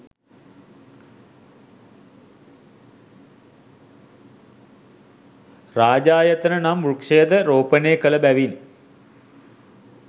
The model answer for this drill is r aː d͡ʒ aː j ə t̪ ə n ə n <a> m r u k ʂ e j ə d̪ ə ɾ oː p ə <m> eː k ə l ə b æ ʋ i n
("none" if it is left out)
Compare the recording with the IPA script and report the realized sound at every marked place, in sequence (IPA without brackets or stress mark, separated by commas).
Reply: a, n